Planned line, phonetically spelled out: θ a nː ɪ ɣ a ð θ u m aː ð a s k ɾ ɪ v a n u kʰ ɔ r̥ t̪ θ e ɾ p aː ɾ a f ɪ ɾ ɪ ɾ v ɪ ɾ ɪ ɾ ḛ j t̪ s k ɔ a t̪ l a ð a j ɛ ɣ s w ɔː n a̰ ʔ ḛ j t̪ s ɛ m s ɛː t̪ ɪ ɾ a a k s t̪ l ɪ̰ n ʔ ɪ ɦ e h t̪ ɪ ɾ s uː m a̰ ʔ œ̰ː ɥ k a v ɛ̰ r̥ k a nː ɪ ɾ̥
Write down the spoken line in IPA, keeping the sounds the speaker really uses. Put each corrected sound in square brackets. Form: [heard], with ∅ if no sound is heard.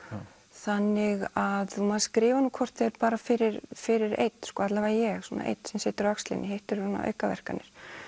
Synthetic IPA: θ a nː ɪ ɣ a ð θ u m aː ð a s k ɾ [ɪː] v a n u kʰ ɔ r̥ t̪ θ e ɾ p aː ɾ a f ɪ ɾ ɪ ɾ [f] ɪ ɾ ɪ ɾ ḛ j t̪ s k ɔ a t̪ l a [v] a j ɛ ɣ s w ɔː n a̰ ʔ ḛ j t̪ s ɛ m s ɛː t̪ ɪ ɾ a a k s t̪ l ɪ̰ n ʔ ɪ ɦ e h t̪ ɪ ɾ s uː [n] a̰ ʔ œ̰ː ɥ k a v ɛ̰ r̥ k a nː ɪ ɾ̥